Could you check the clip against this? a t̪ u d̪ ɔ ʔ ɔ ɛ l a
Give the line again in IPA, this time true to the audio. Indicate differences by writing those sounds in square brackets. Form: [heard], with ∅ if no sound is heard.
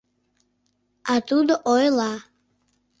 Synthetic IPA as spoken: a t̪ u d̪ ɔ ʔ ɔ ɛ l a